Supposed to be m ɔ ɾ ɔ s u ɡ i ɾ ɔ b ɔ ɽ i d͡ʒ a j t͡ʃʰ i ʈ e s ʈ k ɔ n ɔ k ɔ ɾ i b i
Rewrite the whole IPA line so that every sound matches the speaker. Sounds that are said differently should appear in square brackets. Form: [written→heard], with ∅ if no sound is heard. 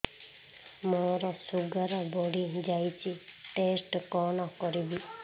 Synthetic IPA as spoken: m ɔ ɾ ɔ s u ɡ [i→a] ɾ ɔ b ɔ ɽ i d͡ʒ a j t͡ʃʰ i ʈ e s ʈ k ɔ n ɔ k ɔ ɾ i b i